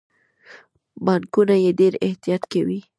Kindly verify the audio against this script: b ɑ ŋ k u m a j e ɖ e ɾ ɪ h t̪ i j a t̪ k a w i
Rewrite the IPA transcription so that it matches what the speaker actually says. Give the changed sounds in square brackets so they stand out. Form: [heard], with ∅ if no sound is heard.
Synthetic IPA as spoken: b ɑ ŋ k u [n] a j e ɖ e ɾ ɪ h t̪ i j [ɑ] t̪ k a w i

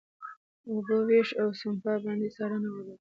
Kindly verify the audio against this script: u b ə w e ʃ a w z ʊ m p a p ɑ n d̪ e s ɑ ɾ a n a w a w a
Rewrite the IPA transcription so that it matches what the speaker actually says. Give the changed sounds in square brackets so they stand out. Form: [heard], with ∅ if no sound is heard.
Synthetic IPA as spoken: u b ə w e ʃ a w [s] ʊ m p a [b] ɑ n d̪ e s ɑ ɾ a n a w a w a

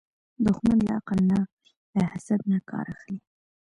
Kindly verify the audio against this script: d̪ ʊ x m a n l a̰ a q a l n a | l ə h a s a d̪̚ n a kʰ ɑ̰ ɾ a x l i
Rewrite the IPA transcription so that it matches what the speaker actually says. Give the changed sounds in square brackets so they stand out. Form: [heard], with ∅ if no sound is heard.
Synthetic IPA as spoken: d̪ ʊ x m a n l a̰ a q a l n a | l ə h a s a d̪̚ n a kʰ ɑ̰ ɾ a x l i

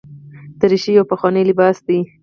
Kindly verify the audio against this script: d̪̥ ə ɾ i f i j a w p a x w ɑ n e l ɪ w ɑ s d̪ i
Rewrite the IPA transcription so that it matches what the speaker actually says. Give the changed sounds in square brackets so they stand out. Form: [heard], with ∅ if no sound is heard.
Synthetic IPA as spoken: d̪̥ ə ɾ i [ʃ] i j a w p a x w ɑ n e l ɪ [b] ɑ s d̪ i

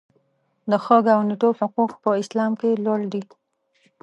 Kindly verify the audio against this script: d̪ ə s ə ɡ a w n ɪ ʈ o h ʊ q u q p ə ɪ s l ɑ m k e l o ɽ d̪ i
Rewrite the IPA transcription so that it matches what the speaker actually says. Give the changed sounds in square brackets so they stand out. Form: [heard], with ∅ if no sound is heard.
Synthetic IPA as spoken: d̪ ə [x] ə ɡ a w n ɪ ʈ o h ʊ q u q p ə ɪ s l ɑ m k e l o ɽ d̪ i

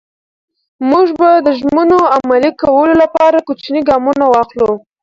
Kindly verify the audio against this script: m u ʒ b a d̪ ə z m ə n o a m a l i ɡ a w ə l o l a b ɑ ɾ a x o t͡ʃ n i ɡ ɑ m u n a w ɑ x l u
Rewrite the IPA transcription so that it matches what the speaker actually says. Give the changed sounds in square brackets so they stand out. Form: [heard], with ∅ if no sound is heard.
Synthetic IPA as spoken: m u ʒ b a d̪ ə [ʒ] m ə n o a m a l i [k] a w ə l o l a [p] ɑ ɾ a [k] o t͡ʃ n i ɡ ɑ m u n a w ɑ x l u

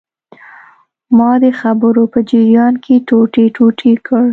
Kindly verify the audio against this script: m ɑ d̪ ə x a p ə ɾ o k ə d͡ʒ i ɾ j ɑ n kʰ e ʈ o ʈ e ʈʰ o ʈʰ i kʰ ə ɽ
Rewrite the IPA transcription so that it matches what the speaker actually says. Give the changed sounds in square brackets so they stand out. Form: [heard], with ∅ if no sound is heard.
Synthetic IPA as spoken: m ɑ d̪ ə x a [b] ə ɾ o [p] ə d͡ʒ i ɾ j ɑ n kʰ e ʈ o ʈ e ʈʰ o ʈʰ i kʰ ə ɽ

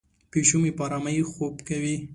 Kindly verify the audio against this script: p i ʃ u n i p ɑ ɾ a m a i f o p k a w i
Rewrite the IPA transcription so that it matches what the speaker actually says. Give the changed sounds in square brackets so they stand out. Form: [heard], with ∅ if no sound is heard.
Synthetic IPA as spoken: p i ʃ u [m] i p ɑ ɾ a m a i [x] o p k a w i

